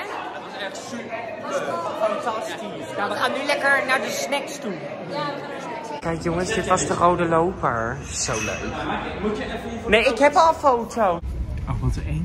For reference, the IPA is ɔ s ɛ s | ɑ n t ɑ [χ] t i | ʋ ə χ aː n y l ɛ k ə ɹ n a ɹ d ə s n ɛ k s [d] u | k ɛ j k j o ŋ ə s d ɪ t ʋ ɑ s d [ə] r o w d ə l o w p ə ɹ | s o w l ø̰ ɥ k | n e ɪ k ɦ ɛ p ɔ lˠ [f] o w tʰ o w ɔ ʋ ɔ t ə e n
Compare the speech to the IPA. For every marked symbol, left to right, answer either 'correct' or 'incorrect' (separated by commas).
incorrect, incorrect, correct, correct